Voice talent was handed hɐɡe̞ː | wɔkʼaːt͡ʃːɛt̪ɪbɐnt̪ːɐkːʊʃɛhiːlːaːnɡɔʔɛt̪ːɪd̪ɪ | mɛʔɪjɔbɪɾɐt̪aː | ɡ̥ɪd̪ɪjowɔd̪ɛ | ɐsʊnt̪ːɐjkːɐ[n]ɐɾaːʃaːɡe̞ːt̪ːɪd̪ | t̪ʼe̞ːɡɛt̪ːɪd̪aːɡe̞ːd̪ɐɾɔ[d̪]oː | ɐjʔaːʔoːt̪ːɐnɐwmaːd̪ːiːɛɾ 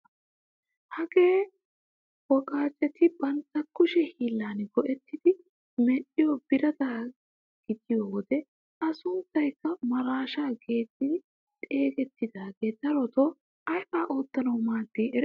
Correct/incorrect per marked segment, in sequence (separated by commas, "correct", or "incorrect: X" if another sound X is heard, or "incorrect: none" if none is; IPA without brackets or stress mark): incorrect: m, incorrect: t̪